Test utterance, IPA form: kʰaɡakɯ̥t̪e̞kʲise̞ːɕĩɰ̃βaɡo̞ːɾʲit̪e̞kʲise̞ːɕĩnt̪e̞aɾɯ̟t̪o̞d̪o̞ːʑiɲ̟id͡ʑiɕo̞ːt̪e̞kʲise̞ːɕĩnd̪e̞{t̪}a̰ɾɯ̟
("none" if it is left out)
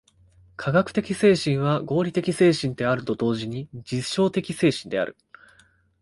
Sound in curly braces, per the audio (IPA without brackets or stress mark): none